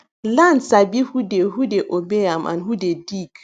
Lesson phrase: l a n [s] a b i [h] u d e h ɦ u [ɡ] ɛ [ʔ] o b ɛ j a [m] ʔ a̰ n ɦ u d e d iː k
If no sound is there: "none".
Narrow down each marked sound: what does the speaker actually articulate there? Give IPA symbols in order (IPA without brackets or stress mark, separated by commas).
s, h, d, ʔ, m